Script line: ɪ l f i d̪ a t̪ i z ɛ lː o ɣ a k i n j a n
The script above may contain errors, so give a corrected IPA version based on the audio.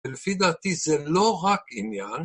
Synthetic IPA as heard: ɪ l f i d̪ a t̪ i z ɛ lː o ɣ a k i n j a n